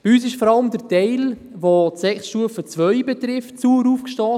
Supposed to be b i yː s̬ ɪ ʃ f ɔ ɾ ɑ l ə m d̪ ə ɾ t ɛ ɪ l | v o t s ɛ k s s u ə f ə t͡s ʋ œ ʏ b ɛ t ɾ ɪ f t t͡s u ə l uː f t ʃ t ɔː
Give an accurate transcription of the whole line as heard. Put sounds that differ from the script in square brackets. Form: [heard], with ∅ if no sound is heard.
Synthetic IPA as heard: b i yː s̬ ɪ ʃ f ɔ ɾ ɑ l ə m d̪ ə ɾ t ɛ ɪ l | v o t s ɛ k s [ʃ] u ə f ə t͡s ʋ œ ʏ b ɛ t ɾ ɪ f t t͡s u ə [ɾ] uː f [k] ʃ t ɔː